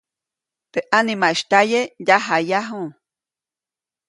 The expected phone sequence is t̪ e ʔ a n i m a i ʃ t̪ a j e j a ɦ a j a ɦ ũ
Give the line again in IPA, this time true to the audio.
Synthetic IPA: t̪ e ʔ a n i m a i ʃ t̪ a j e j a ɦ a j a ɦ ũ